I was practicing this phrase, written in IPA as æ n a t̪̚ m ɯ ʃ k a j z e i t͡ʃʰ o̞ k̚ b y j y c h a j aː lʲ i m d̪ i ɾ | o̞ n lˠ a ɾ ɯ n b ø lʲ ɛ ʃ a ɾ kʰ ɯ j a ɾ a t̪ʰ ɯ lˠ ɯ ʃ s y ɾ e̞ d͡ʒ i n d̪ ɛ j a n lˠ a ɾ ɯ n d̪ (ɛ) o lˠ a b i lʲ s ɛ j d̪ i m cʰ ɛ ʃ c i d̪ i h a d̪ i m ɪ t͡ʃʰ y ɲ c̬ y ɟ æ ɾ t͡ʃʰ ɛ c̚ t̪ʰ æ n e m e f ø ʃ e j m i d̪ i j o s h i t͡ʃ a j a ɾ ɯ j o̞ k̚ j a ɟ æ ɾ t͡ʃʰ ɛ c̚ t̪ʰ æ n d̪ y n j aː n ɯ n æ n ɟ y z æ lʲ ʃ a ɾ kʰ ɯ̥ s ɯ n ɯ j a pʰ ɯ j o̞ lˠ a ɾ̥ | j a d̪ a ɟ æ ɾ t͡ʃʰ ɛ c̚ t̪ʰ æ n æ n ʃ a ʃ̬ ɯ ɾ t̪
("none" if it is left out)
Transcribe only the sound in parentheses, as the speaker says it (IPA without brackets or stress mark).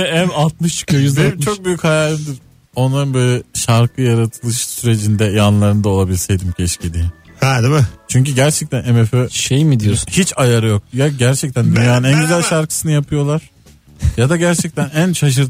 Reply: a